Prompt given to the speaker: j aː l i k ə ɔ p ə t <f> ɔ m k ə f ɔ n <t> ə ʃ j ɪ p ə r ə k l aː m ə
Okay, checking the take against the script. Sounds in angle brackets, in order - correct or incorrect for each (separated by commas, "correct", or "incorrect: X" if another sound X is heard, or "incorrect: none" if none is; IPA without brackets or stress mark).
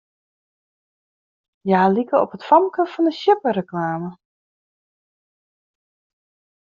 correct, incorrect: d